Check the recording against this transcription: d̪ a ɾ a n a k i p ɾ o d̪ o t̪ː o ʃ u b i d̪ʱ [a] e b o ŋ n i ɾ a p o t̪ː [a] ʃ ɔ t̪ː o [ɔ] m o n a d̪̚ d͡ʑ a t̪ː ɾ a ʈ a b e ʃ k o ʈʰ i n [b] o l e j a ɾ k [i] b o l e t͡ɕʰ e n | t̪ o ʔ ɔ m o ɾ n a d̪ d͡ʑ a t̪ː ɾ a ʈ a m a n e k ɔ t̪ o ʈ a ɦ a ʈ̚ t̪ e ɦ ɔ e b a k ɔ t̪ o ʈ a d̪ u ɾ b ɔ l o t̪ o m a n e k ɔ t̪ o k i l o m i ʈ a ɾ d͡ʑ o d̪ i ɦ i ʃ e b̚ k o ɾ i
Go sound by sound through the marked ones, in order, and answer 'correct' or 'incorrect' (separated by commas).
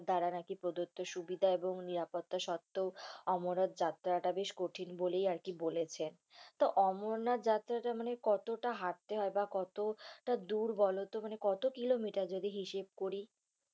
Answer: correct, correct, correct, correct, correct